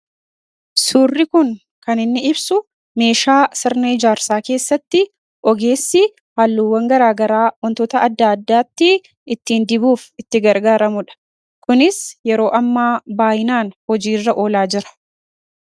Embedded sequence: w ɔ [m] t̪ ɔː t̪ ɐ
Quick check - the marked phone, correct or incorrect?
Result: incorrect: n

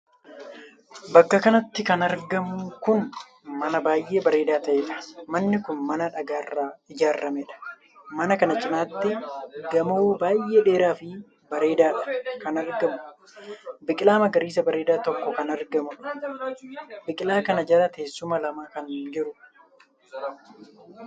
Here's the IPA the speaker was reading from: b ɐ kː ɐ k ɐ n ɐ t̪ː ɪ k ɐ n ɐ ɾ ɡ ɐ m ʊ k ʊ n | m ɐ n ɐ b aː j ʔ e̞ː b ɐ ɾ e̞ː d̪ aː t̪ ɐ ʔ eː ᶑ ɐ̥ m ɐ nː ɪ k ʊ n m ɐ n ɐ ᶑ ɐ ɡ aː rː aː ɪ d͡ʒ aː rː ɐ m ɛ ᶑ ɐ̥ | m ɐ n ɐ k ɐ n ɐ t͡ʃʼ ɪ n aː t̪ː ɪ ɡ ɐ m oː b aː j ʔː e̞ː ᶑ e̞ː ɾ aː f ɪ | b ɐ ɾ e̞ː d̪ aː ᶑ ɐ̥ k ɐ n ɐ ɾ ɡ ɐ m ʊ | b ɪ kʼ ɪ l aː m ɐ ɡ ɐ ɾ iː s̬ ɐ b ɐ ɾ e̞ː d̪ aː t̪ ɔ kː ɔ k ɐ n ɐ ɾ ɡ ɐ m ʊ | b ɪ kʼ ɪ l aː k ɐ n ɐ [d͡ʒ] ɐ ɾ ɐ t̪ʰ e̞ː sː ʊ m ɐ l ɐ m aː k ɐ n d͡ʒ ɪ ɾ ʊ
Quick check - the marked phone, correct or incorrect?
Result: correct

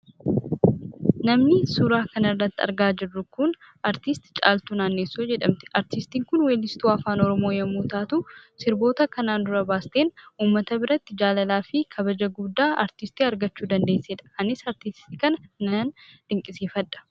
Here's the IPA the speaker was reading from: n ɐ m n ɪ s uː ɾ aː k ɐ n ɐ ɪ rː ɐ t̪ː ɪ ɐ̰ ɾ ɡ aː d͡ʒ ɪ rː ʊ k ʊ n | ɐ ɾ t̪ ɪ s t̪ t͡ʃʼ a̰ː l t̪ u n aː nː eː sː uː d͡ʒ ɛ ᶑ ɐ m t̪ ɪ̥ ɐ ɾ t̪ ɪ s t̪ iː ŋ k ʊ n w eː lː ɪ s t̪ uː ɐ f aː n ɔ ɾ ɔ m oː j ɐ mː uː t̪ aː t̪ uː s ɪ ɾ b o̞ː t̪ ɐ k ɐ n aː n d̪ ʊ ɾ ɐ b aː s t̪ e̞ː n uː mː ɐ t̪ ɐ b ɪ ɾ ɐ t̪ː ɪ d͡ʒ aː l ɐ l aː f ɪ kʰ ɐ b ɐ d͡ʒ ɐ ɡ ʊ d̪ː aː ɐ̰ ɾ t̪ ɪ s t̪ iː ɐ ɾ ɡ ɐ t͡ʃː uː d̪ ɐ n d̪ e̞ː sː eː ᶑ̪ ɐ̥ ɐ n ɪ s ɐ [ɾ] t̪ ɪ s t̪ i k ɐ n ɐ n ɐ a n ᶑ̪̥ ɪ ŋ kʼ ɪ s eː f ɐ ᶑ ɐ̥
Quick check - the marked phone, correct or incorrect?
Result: correct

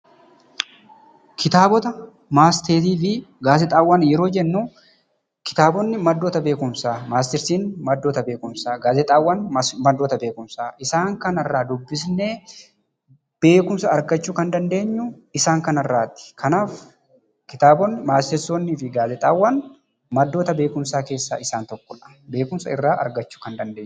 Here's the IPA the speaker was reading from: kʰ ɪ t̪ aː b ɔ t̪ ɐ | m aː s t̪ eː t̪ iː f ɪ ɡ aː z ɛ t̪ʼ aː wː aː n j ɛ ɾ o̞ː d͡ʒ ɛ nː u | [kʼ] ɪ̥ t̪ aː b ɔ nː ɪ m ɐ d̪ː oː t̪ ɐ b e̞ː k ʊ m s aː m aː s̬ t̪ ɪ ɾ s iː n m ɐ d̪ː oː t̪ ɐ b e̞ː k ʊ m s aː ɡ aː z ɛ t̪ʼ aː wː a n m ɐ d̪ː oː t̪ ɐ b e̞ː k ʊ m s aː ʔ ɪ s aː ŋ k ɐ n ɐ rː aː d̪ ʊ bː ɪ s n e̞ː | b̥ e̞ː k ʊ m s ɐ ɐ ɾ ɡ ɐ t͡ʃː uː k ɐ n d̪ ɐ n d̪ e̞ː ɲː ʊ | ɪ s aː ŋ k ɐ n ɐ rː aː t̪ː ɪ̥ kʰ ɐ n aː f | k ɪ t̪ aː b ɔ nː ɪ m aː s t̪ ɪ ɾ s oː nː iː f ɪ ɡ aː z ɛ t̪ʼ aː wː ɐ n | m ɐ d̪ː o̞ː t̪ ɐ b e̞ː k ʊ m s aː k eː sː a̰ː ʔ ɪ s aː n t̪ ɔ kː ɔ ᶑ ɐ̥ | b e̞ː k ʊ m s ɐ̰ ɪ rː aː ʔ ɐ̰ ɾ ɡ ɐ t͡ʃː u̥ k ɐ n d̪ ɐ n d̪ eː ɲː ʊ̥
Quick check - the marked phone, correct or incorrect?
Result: incorrect: k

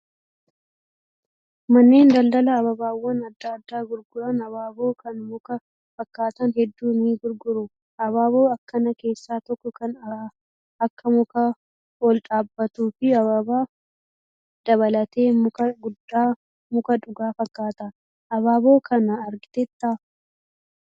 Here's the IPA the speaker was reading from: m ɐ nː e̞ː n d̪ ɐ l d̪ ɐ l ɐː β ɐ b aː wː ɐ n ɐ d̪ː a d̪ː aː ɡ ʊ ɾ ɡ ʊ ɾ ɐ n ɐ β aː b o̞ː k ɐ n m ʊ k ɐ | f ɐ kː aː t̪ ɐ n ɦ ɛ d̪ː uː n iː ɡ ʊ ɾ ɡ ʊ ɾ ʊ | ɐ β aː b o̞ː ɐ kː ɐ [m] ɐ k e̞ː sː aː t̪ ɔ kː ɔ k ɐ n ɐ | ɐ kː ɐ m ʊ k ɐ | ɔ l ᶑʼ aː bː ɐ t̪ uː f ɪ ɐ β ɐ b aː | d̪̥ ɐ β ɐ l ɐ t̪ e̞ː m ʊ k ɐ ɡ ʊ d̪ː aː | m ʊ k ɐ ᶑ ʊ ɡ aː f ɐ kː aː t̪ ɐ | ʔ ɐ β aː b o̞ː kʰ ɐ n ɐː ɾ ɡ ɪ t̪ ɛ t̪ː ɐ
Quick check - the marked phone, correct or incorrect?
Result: incorrect: n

